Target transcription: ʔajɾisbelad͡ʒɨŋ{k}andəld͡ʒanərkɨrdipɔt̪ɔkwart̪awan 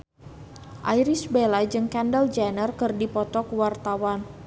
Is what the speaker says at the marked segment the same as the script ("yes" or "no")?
yes